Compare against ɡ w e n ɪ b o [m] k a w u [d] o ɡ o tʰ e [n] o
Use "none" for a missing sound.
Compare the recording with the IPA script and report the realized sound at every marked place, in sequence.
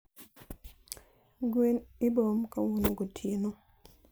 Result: m, n, n

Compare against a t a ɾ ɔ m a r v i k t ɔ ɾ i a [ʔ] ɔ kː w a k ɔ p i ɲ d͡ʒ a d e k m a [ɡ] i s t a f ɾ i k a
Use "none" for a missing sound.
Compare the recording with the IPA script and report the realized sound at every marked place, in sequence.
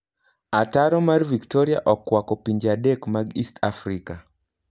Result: ʔ, ɡ

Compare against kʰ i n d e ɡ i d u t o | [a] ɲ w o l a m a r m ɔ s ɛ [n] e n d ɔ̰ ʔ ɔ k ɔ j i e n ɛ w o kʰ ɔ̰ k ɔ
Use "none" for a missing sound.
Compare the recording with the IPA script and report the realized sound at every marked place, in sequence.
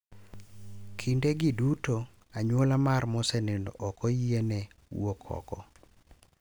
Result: a, n

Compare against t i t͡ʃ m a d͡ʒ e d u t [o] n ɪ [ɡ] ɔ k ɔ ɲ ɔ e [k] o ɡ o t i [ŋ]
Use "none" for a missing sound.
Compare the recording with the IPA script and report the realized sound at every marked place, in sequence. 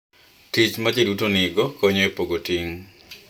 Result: o, ɡ, p, ŋ

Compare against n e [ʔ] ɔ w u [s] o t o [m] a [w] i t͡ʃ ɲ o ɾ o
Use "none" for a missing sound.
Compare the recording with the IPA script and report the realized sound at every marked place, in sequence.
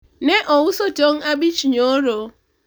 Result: ʔ, s, ŋ, b

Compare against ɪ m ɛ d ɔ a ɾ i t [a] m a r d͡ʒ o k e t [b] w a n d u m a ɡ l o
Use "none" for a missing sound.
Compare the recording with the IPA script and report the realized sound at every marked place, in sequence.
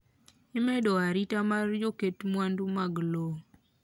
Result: a, m

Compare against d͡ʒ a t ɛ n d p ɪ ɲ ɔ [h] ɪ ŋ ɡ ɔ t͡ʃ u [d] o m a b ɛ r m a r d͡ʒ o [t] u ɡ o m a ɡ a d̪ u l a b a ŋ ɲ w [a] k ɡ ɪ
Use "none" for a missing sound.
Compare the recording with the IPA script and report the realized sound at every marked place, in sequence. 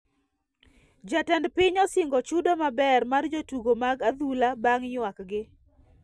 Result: s, d, t, a

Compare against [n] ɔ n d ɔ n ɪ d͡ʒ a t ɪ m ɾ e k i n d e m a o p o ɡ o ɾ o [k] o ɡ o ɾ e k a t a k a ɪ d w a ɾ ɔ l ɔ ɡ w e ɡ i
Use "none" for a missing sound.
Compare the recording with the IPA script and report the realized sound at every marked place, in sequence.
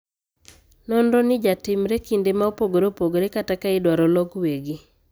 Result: n, p

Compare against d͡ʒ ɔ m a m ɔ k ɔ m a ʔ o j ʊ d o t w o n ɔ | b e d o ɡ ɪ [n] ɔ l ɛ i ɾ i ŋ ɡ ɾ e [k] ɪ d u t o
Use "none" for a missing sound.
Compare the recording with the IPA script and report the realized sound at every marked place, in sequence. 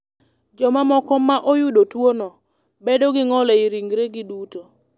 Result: ŋ, ɡ

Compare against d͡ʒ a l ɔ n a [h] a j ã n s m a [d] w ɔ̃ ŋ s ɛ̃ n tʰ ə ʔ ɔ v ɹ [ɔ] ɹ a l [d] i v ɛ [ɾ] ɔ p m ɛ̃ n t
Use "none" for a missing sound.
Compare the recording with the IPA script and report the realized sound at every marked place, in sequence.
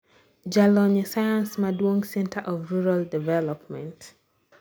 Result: s, d, u, d, l

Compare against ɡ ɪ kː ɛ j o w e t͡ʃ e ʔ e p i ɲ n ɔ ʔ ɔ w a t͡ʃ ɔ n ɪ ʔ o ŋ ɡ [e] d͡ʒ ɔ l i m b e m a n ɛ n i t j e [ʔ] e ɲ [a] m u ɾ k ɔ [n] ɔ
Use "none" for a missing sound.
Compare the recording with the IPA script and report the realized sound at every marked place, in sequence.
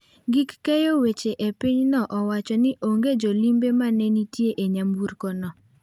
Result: e, ʔ, a, n

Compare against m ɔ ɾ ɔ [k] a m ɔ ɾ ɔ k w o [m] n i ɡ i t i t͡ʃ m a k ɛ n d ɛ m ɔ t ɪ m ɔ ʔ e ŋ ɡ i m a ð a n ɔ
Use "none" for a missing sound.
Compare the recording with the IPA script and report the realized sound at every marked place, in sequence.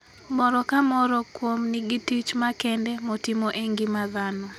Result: k, m

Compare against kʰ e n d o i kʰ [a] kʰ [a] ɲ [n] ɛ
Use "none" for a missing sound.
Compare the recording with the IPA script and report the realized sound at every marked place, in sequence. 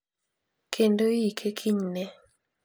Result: e, i, n

